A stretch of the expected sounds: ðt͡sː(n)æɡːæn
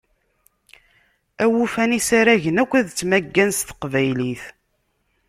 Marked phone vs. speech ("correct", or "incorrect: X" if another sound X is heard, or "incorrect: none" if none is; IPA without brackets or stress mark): incorrect: m